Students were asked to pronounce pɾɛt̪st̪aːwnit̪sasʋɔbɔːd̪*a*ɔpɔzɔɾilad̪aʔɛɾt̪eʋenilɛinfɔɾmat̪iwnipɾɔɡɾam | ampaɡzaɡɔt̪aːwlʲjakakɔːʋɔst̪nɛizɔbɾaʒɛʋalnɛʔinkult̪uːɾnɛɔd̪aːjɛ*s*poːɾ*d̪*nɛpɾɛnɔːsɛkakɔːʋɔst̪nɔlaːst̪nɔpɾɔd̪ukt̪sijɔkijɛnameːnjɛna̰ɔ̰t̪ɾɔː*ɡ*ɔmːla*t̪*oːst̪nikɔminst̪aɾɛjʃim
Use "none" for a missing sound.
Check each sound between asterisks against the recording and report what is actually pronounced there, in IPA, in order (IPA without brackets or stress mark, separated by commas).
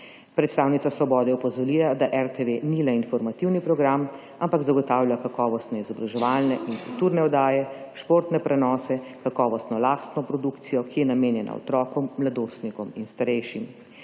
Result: ɛ, ʃ, t̪, k, d̪